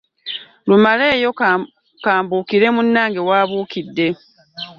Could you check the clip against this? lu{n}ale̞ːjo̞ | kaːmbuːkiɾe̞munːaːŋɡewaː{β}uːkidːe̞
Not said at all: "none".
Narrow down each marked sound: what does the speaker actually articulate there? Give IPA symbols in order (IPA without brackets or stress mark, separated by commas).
m, β